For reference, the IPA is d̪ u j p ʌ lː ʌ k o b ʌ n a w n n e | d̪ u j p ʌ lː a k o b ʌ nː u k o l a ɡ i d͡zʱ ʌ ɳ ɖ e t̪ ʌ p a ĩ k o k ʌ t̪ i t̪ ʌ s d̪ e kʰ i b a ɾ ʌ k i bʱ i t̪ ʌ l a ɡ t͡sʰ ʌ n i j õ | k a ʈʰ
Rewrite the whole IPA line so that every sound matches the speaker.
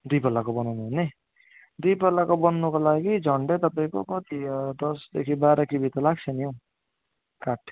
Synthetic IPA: d̪ u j p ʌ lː a k o b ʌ n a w n n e | d̪ u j p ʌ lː a k o b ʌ nː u k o l a ɡ i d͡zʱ ʌ ɳ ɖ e t̪ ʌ p a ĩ k o k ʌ t̪ i d̪ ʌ s d̪ e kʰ i b a ɾ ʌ k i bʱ i t̪ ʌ l a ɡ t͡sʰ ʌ n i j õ | k a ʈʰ